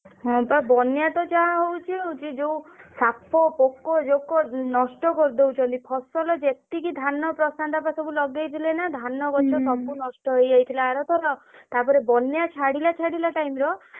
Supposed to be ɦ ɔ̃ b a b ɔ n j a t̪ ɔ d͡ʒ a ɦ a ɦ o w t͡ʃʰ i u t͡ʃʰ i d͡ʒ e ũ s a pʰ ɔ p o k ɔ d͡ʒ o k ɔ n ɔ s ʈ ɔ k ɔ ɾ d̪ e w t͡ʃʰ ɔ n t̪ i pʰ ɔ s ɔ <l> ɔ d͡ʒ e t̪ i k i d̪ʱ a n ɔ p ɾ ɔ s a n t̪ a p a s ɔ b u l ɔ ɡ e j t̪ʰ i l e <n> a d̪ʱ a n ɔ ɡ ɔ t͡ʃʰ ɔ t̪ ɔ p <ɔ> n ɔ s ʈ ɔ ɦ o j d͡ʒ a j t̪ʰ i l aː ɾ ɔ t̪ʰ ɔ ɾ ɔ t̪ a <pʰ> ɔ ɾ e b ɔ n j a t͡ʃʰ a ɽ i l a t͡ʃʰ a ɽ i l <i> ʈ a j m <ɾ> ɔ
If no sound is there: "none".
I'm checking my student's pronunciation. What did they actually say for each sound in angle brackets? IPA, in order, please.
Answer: l, n, u, p, a, ɾ

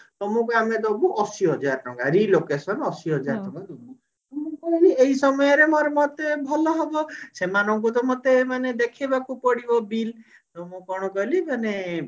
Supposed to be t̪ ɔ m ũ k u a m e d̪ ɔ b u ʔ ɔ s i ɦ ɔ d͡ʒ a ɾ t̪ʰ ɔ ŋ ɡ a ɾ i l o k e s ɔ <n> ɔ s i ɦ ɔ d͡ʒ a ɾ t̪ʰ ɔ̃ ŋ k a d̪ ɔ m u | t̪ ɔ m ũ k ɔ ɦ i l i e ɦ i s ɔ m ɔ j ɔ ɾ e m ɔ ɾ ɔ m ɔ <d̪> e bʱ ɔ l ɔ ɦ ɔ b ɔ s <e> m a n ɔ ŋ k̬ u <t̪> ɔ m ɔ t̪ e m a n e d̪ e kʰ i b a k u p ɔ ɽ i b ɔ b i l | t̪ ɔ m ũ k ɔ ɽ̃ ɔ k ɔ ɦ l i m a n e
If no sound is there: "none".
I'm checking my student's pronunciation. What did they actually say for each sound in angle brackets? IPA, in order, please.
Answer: n, t̪, e, t̪

